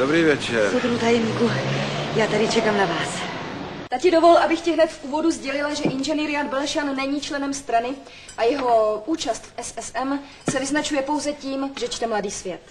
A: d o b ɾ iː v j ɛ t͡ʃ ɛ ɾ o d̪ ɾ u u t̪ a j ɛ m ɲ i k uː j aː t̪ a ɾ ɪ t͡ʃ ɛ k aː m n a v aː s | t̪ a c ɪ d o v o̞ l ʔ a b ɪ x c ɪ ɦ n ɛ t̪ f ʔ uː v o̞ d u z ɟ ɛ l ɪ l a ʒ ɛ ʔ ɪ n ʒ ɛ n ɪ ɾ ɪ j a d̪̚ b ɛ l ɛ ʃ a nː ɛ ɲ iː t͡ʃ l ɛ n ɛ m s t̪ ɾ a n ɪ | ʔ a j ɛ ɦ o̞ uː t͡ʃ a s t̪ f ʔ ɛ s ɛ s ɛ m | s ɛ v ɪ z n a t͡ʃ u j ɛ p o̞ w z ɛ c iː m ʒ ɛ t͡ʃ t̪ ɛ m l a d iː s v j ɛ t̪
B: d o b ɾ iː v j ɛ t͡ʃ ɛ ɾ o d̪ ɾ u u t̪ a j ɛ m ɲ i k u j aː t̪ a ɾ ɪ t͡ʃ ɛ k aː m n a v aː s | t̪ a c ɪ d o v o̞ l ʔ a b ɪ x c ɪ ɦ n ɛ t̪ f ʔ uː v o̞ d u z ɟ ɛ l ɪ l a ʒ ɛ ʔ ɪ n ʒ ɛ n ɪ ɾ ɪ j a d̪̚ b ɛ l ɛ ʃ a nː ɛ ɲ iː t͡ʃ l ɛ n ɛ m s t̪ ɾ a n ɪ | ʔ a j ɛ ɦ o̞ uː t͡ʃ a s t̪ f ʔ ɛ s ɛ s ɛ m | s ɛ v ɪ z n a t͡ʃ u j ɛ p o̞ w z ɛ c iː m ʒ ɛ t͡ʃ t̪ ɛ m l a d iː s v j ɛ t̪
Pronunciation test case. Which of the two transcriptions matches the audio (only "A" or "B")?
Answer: B